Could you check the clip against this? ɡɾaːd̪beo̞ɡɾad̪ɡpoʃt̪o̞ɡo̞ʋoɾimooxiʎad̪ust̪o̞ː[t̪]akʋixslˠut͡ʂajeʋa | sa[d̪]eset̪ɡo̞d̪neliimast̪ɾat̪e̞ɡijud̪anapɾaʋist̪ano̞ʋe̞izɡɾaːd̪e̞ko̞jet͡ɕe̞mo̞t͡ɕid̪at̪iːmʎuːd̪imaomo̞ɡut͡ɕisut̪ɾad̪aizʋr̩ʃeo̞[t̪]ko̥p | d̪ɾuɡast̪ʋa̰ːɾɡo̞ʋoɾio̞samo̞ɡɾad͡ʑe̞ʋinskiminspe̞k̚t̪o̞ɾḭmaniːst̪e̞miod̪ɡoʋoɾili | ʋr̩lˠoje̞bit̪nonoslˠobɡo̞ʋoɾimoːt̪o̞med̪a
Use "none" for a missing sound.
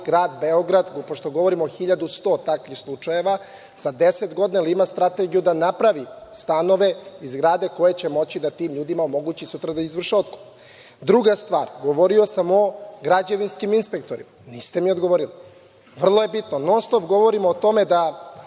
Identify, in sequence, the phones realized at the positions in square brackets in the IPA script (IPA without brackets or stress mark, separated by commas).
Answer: t̪, d̪, t̪